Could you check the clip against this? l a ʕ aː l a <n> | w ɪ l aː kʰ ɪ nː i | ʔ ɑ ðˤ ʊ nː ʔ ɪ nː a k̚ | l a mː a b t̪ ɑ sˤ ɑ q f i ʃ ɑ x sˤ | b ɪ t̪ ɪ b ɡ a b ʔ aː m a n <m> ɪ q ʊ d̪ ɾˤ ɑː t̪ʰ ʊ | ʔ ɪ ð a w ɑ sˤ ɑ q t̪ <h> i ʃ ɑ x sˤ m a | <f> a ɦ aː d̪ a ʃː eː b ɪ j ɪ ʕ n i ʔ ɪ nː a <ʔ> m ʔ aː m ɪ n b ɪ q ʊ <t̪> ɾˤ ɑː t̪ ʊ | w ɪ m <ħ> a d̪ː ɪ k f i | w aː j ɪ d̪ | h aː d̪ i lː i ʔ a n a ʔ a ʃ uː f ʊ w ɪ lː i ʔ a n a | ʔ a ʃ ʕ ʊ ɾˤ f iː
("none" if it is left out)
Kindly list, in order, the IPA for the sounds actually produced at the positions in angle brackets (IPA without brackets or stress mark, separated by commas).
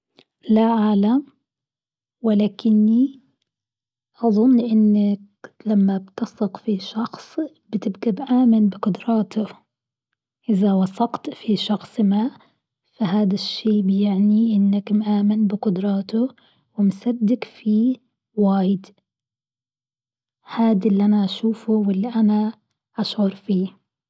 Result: m, b, f, f, k, d̪, s